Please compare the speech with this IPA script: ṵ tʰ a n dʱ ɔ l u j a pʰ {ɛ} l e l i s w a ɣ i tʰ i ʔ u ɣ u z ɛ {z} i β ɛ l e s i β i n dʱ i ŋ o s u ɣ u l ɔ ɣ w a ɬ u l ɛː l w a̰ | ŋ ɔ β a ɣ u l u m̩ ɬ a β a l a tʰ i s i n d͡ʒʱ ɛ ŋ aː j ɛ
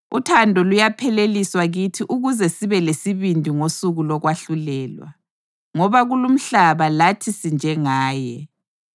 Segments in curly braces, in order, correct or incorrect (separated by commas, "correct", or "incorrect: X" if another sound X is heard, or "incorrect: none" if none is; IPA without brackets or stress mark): correct, incorrect: s